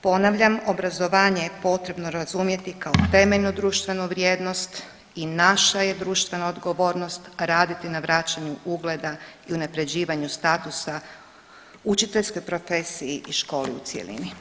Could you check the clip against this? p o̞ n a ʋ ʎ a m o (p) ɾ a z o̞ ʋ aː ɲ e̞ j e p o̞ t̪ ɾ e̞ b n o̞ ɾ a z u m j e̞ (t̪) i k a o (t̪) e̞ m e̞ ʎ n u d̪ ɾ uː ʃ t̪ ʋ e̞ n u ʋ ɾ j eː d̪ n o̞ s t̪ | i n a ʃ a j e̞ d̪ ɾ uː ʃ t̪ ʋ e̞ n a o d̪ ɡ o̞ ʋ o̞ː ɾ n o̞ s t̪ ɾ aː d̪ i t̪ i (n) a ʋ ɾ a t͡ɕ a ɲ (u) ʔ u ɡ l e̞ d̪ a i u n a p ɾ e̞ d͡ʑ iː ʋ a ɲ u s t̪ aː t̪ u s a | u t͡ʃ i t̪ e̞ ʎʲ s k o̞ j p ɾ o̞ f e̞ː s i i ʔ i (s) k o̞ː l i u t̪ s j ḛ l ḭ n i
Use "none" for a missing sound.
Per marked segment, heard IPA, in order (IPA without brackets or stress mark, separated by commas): b, t̪, t̪, n, u, ʃ